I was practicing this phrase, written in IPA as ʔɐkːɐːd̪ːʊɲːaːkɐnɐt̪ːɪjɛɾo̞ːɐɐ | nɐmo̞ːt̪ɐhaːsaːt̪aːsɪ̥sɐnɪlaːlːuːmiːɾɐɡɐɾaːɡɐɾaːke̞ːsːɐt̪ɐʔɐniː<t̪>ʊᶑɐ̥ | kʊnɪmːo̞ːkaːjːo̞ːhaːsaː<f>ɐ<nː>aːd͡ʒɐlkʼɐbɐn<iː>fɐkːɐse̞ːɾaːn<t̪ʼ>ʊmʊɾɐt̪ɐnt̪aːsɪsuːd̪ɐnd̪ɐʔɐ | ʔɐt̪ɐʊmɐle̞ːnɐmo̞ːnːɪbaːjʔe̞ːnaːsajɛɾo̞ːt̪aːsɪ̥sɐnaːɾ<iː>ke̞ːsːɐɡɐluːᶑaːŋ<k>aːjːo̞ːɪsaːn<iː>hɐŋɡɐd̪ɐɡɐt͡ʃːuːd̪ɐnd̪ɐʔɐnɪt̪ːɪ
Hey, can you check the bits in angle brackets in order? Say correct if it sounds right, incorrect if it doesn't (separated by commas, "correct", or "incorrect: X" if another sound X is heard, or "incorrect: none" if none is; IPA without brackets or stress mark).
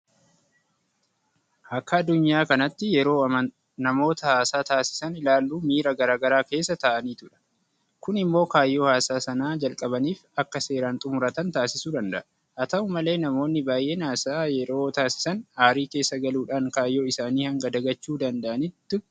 correct, incorrect: s, incorrect: n, correct, correct, correct, correct, correct